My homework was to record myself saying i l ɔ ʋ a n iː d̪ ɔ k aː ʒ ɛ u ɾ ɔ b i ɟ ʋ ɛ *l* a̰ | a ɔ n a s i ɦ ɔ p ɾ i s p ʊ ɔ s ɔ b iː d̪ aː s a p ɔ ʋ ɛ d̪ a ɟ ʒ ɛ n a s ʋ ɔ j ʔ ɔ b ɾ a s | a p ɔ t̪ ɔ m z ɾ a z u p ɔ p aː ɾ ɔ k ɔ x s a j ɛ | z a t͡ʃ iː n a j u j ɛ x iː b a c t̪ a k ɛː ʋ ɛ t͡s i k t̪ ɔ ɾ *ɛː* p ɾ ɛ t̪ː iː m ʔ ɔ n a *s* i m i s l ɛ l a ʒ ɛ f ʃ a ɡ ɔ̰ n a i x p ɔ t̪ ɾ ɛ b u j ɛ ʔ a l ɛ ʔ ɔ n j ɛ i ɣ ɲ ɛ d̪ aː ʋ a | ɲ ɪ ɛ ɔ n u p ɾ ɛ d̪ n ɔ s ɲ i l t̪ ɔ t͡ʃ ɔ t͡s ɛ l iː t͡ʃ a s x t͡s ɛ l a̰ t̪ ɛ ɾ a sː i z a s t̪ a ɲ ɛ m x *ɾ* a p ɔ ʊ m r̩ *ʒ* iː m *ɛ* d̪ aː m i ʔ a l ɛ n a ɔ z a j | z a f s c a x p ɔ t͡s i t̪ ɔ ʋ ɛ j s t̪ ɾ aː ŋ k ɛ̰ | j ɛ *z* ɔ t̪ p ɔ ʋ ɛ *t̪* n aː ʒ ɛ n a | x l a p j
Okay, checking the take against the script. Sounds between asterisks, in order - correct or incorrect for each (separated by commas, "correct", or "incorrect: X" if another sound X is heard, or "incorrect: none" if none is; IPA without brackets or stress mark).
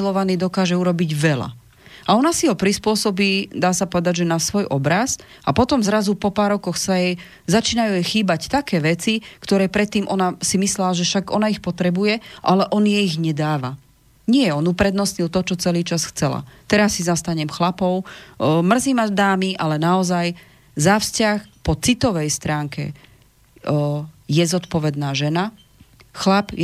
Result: correct, correct, correct, incorrect: l, incorrect: z, incorrect: a, correct, incorrect: d̪